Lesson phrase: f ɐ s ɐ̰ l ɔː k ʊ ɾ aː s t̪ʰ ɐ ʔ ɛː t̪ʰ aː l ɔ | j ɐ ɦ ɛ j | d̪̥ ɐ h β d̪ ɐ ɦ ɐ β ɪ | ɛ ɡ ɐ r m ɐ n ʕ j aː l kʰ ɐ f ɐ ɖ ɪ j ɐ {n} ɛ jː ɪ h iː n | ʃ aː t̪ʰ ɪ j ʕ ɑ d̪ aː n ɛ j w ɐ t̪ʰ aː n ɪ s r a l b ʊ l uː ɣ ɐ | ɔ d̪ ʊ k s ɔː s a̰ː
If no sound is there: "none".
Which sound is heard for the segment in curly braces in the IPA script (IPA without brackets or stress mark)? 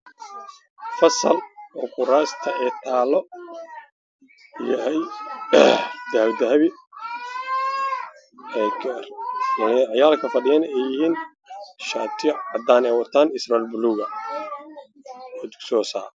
n